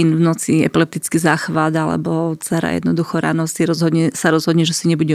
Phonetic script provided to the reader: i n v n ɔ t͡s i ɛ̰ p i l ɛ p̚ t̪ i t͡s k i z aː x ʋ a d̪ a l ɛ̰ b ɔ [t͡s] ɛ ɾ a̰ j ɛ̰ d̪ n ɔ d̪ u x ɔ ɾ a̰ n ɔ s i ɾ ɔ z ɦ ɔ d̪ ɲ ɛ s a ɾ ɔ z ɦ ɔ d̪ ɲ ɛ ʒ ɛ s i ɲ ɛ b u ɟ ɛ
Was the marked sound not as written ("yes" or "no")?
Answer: no